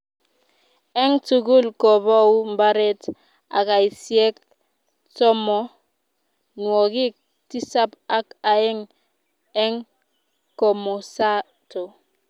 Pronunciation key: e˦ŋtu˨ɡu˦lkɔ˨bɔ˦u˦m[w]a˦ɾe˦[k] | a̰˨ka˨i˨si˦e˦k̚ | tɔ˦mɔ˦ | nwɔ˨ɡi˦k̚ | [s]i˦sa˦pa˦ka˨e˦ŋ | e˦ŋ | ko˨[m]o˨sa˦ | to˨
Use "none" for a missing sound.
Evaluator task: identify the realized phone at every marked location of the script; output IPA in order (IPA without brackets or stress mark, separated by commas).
b, t, t, m